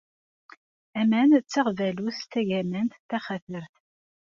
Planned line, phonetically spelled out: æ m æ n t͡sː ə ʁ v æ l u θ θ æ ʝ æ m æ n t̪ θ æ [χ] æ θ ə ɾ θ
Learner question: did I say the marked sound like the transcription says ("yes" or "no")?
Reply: yes